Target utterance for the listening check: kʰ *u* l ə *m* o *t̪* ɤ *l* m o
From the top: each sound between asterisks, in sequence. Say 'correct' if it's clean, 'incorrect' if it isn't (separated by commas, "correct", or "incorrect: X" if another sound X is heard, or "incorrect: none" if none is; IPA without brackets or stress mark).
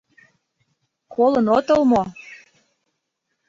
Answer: incorrect: o, incorrect: n, correct, correct